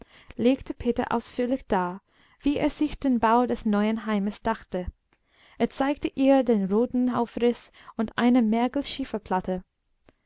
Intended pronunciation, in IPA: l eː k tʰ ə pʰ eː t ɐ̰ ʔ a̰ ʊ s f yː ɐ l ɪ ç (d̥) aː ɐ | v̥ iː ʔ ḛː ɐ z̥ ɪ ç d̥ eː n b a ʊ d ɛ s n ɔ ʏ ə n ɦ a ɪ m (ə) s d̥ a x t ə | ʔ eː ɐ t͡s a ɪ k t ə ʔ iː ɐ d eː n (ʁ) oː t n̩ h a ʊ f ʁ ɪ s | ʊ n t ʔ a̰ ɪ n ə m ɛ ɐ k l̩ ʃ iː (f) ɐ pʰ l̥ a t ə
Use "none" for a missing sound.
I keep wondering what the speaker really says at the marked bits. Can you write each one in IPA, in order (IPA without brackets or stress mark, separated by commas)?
d̥, ə, ʁ, f